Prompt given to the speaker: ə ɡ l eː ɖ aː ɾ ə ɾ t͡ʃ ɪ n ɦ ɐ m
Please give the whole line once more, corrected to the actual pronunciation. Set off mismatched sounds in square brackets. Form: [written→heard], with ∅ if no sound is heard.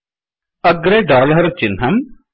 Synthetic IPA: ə ɡ [l→ɾ] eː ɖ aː [ɾ→l] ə ɾ t͡ʃ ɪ n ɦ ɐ m